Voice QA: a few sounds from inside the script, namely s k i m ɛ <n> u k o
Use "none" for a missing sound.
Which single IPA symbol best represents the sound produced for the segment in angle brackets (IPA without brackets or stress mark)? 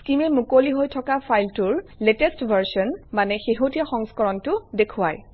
m